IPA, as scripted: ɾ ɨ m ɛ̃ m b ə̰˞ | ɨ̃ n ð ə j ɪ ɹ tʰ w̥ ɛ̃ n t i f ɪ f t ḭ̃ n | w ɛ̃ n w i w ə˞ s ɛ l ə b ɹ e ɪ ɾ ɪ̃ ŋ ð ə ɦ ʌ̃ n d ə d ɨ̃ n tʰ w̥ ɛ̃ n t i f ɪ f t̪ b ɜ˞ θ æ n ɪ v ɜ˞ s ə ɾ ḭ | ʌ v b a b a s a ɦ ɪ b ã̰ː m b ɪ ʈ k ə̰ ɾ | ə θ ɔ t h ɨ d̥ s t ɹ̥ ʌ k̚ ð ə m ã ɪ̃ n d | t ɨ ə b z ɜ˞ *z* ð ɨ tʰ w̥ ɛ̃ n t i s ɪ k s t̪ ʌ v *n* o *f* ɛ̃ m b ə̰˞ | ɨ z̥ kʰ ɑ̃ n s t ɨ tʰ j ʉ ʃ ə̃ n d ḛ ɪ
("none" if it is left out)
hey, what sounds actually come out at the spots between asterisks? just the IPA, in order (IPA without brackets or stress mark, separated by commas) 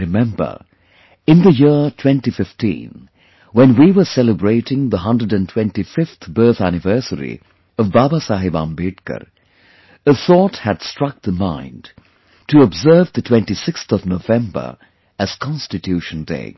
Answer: v, n, v